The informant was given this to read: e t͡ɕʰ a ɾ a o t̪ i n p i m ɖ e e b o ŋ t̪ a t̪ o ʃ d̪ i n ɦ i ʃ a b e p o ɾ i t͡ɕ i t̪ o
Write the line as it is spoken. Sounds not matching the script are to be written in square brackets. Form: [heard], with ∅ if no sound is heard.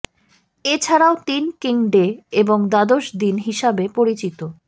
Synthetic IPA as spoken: e t͡ɕʰ a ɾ a o t̪ i n [k] i [ŋ] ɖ e e b o ŋ [d̪] a [d̪] o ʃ d̪ i n ɦ i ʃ a b e p o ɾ i t͡ɕ i t̪ o